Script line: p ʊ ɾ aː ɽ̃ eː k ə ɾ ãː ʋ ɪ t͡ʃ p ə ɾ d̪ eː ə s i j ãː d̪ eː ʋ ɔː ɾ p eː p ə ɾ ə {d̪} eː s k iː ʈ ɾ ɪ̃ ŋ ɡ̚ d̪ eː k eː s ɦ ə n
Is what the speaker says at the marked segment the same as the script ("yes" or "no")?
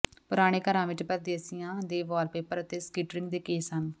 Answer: no